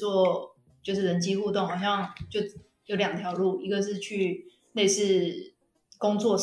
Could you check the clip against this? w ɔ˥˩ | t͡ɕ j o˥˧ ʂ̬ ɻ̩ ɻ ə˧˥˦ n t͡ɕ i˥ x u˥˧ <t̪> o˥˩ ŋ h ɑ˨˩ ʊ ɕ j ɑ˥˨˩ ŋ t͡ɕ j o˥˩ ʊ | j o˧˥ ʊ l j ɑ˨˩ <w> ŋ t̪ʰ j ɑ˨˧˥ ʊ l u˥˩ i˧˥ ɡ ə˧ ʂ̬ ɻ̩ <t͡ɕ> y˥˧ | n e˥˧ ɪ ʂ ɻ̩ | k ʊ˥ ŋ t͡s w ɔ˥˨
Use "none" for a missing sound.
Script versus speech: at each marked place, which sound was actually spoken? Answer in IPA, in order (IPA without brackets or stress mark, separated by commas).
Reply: t̪, none, t͡ɕʰ